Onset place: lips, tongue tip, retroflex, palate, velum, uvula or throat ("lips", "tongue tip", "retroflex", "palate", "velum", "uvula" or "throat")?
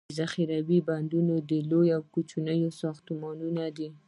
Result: tongue tip